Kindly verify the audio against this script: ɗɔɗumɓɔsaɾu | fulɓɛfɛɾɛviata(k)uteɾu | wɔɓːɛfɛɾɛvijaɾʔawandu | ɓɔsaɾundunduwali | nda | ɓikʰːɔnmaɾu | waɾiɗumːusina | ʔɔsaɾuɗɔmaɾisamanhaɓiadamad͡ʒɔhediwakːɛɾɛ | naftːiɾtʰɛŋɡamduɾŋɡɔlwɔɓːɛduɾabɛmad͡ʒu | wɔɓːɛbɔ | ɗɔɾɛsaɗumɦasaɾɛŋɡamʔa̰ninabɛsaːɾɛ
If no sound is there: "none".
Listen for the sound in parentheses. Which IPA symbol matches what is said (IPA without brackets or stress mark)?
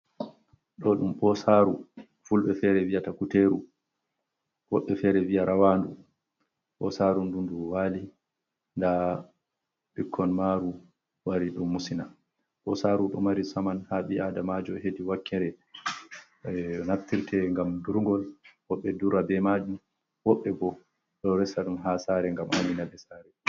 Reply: k